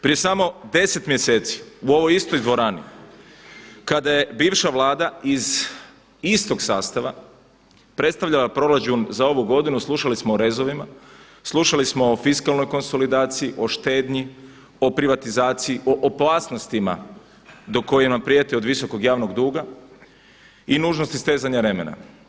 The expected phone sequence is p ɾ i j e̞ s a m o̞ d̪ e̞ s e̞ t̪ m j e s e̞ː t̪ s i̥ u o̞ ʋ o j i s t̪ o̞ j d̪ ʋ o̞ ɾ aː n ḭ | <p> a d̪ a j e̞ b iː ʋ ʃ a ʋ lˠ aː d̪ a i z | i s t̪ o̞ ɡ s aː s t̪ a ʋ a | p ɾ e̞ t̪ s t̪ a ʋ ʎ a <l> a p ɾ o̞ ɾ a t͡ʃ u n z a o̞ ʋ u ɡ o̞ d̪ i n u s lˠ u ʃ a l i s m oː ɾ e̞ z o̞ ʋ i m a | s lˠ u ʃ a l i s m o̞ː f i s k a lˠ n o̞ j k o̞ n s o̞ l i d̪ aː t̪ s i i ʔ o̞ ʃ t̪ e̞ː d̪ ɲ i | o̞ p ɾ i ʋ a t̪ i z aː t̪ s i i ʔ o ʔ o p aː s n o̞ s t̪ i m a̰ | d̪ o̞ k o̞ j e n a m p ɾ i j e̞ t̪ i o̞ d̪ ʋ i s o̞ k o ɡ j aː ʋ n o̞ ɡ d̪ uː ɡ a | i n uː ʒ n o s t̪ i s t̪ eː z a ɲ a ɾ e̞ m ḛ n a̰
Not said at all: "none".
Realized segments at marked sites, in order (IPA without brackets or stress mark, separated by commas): k, l